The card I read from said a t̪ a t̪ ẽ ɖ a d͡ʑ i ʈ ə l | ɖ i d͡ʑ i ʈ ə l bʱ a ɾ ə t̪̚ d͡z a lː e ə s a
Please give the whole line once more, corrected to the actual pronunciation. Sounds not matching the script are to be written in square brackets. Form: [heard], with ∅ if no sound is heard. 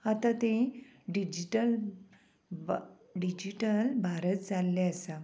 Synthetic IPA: a t̪ a t̪ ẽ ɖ [i] d͡ʑ i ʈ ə l | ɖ i d͡ʑ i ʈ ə l bʱ a ɾ ə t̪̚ d͡z a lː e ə s a